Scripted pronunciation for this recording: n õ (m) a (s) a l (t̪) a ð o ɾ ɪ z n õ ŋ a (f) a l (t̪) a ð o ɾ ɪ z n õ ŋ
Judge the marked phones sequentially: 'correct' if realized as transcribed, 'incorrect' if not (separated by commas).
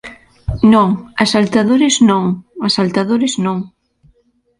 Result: incorrect, correct, correct, incorrect, correct